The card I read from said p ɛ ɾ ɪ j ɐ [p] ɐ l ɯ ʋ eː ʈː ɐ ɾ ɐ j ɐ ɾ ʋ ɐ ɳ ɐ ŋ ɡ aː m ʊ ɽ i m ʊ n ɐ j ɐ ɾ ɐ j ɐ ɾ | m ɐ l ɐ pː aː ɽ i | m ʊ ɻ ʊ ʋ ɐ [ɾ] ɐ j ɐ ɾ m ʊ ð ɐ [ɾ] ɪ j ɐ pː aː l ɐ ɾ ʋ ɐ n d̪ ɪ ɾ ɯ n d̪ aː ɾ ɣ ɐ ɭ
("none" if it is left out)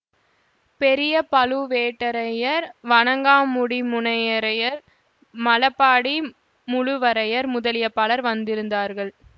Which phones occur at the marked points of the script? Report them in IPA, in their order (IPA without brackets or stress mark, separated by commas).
p, ɾ, l